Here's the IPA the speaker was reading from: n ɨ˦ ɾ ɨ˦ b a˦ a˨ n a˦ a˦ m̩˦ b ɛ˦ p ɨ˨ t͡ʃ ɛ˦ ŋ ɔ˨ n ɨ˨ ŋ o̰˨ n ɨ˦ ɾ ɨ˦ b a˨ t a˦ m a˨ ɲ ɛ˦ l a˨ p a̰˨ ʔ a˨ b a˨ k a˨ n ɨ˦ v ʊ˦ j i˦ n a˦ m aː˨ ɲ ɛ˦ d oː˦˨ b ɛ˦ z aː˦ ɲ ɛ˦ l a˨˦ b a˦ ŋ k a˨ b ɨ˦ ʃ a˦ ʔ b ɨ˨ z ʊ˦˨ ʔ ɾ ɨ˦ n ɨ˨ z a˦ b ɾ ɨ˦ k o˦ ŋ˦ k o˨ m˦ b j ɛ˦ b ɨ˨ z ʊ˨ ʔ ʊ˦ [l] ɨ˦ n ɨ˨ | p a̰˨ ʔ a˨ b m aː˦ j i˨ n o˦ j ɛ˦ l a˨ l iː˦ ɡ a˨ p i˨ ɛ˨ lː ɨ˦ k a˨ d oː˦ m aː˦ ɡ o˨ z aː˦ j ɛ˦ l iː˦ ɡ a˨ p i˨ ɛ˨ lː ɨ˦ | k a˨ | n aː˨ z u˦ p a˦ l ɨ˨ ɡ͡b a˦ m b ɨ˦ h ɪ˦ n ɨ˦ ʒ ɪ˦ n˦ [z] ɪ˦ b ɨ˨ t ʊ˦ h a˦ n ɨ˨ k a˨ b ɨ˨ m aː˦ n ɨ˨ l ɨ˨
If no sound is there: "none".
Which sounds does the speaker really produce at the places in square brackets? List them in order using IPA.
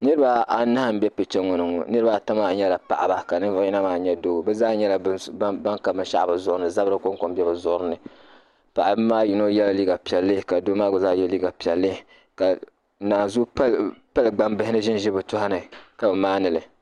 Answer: ɾ, ʒ

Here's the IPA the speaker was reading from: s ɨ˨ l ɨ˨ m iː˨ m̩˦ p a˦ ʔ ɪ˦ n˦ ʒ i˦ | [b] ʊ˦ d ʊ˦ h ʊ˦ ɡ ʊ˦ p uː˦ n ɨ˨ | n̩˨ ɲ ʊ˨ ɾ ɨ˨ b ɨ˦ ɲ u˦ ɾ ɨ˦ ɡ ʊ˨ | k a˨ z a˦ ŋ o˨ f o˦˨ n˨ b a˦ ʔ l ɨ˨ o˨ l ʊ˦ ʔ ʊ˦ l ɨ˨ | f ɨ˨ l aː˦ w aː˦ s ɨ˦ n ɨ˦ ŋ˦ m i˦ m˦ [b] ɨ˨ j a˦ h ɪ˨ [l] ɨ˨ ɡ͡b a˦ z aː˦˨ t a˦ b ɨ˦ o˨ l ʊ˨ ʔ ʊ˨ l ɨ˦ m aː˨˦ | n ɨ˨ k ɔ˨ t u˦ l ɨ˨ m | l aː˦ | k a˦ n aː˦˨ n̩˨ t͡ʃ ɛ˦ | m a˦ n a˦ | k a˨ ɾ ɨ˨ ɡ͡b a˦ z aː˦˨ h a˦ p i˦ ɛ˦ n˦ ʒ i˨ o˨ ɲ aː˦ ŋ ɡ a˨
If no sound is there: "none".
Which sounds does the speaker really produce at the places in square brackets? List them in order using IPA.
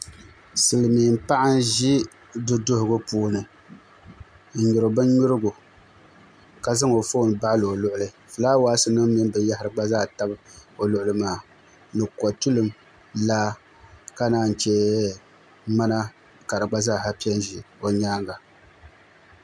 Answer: d, b, ɾ

